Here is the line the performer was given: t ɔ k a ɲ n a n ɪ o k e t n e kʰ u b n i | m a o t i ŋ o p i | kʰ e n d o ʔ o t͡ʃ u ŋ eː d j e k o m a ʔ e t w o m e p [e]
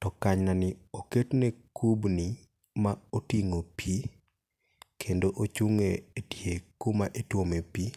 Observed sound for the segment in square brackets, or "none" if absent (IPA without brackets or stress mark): i